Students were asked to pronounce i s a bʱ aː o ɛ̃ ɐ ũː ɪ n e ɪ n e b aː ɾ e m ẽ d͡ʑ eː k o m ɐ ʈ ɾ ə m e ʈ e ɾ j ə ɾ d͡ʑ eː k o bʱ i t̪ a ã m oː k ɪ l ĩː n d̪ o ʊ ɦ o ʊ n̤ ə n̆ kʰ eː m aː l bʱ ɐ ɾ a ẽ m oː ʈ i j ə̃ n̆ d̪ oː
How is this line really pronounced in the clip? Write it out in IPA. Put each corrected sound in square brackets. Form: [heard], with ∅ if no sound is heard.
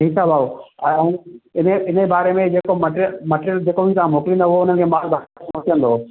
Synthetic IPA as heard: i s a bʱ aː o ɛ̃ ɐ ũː ɪ n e ɪ n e b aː ɾ e m ẽ d͡ʑ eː k o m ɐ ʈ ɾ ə m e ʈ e ɾ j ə [l] d͡ʑ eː k o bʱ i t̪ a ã m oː k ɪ l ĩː n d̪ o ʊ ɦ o ʊ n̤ ə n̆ kʰ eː m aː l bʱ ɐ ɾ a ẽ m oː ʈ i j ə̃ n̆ d̪ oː